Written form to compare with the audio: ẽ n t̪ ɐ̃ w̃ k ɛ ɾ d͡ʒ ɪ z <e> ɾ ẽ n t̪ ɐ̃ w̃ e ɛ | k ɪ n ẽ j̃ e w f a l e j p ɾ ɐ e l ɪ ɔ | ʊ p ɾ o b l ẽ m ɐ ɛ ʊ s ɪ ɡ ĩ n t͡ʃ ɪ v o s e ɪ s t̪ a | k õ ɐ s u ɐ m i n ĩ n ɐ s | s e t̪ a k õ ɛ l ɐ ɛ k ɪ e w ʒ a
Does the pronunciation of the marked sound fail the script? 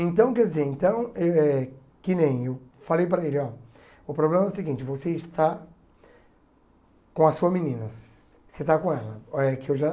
no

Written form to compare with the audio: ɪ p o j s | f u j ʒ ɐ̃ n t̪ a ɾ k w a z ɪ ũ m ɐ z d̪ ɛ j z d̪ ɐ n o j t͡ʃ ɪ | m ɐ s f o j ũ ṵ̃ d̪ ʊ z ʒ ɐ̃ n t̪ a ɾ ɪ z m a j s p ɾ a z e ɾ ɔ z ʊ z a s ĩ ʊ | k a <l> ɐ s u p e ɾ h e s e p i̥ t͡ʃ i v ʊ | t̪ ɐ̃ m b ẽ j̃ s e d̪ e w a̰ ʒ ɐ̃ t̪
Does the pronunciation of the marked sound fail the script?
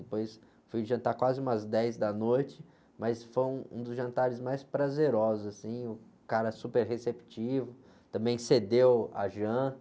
yes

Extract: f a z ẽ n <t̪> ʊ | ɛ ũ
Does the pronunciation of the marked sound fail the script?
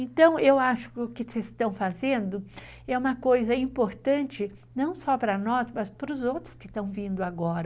yes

